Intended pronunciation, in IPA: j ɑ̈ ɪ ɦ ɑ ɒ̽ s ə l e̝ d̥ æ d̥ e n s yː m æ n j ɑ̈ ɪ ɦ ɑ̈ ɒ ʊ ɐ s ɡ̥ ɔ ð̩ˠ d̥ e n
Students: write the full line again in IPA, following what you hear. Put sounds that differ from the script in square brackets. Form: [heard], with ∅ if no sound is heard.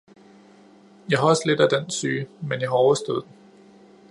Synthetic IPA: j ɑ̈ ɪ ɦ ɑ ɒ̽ s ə l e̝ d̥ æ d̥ e n s yː m [e] n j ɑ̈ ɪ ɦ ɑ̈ ɒ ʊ ɐ s [d̥] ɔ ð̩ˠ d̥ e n

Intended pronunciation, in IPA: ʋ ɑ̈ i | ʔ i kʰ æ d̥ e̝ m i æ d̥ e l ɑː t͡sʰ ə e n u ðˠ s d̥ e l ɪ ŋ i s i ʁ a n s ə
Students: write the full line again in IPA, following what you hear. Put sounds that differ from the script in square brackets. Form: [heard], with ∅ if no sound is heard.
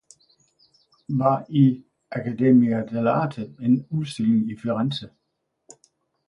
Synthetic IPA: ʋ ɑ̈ i | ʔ [æ] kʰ æ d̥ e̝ m i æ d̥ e l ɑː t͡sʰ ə e n u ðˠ s d̥ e l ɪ ŋ i [f] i ʁ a n s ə

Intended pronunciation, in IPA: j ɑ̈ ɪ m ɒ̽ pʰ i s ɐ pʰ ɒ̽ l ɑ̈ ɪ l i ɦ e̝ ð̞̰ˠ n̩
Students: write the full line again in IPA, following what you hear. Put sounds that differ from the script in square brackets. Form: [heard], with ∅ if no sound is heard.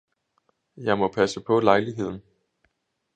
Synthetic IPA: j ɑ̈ ɪ m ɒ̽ pʰ [æ] s [ə] pʰ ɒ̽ l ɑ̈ ɪ l i ɦ e̝ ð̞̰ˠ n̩

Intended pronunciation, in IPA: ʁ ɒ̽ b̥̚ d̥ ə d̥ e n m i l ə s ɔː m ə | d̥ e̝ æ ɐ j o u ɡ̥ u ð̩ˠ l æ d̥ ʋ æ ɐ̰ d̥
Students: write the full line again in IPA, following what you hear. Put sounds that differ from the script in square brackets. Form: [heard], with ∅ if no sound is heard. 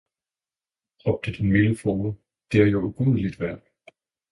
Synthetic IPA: ʁ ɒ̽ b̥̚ d̥ ə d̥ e n m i l ə [f] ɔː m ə | d̥ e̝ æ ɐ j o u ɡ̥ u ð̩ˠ l [i] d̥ ʋ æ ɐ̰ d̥

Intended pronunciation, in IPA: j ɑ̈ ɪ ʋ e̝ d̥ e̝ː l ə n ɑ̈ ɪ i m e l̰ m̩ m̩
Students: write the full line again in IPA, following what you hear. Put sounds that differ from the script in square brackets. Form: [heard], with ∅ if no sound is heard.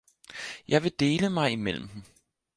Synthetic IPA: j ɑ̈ ɪ ʋ e̝ d̥ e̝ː l ə [m] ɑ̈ ɪ i m e l̰ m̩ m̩

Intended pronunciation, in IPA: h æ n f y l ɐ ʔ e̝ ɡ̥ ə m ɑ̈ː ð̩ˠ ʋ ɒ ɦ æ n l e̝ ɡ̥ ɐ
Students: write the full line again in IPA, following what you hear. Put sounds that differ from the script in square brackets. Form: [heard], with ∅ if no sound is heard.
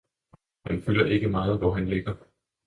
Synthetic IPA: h æ n f y l ɐ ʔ e̝ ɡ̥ ə m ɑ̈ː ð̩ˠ ʋ ɒ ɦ æ n l e̝ ɡ̥ ɐ

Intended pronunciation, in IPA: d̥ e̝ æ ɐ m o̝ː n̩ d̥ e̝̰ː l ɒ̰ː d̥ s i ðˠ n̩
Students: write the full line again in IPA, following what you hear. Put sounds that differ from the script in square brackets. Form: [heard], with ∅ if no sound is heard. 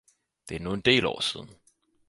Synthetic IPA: d̥ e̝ æ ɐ [n] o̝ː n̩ d̥ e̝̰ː l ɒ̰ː [∅] s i ðˠ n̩

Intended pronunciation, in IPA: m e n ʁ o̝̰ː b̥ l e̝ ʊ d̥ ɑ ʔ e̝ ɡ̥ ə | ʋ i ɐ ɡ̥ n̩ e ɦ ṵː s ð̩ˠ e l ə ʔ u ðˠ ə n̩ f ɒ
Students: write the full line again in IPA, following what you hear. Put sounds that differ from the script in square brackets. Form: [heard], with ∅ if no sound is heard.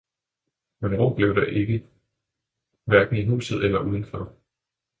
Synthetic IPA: m e n ʁ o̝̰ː b̥ l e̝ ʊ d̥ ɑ ʔ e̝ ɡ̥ ə | ʋ [æ] ɐ ɡ̥ n̩ [i] ɦ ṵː s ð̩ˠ e l [ɐ] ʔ u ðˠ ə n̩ f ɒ

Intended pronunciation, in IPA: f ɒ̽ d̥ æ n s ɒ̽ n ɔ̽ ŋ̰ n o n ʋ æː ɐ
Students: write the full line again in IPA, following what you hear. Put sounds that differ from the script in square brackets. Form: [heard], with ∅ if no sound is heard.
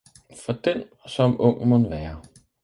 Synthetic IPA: f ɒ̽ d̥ [e] n s ɒ̽ [m] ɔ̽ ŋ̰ [m] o n ʋ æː ɐ

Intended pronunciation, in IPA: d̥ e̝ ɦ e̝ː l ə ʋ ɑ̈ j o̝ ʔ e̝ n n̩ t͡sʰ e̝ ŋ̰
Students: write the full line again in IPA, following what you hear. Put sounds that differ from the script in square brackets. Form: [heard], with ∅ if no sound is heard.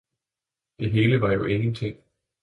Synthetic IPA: d̥ e̝ ɦ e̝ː l ə ʋ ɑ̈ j o̝ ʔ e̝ [ŋ] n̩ t͡sʰ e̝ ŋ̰

